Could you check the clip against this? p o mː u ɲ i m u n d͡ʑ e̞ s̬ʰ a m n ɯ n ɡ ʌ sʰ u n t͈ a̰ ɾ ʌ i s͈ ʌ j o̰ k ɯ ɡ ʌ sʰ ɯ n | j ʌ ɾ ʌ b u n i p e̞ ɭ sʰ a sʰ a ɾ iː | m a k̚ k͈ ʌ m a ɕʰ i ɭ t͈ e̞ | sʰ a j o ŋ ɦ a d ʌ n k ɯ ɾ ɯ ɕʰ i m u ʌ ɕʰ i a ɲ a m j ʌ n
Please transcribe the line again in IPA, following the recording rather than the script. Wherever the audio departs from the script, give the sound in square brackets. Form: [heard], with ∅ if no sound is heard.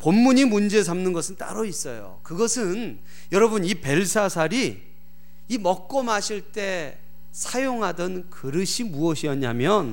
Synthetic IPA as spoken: p o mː u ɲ i m u n d͡ʑ e̞ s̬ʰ a m n ɯ n ɡ ʌ sʰ [ɯ] n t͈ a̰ ɾ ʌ i s͈ ʌ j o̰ k ɯ ɡ ʌ sʰ ɯ n | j ʌ ɾ ʌ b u n i p e̞ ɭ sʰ a sʰ a ɾ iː | m [ʌ] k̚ k͈ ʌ m a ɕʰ i ɭ t͈ e̞ | sʰ a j o ŋ ɦ a d ʌ n k ɯ ɾ ɯ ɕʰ i m u ʌ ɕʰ i [ʌ] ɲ a m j ʌ n